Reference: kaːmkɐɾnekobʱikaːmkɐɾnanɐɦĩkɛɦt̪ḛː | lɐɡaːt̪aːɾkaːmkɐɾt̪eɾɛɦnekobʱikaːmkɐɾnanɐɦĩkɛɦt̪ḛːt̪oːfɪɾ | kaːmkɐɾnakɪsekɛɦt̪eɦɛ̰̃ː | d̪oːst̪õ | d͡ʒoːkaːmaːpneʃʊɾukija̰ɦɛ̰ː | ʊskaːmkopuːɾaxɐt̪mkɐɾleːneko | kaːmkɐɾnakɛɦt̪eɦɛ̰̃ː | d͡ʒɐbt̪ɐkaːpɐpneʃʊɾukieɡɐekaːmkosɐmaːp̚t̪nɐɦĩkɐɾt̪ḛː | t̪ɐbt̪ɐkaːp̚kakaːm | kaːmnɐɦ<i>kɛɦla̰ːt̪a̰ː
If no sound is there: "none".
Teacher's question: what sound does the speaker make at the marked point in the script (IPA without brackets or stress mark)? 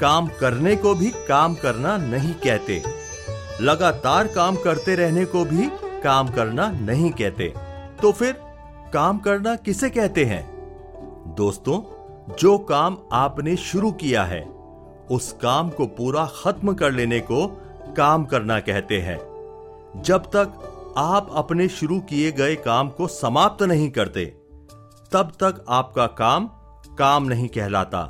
ĩ